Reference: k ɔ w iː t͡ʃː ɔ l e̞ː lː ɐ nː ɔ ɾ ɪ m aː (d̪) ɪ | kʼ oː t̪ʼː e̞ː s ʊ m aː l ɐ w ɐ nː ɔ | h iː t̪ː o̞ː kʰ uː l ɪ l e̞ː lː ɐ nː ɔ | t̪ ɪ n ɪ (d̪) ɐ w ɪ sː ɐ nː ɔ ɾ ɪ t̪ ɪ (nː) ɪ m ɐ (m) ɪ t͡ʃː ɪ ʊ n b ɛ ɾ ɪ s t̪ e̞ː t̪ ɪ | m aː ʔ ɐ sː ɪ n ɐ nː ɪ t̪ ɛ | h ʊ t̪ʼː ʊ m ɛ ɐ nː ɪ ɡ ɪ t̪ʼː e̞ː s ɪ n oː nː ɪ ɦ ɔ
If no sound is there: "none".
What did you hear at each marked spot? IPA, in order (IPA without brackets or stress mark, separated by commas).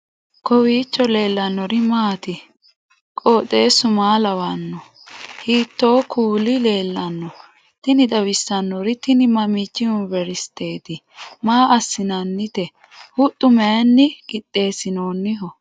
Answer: t̪, d̪, n, m